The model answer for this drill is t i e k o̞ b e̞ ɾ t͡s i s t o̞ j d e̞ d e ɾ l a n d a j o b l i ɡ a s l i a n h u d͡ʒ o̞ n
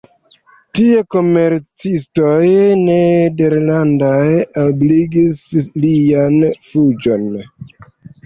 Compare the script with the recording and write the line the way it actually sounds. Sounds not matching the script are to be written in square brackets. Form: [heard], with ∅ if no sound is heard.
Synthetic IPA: t i e k o̞ [m] e̞ ɾ t͡s i s t o̞ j [n] e̞ d e ɾ l a n d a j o b l i ɡ [i] s l i a n [f] u d͡ʒ o̞ n